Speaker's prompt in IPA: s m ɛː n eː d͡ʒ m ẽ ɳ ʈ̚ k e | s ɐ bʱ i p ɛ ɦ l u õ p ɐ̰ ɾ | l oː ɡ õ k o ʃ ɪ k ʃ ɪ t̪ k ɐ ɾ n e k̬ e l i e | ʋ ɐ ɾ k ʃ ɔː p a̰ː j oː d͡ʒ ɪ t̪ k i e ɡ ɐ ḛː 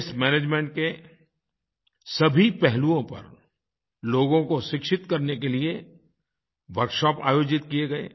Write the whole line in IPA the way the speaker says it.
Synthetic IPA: s m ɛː n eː d͡ʒ m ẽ ɳ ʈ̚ k e | s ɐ bʱ i p ɛ ɦ l u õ p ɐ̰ ɾ | l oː ɡ õ k o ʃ ɪ k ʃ ɪ t̪ k ɐ ɾ n e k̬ e l i e | ʋ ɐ ɾ k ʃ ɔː p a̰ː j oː d͡ʒ ɪ t̪ k i e ɡ ɐ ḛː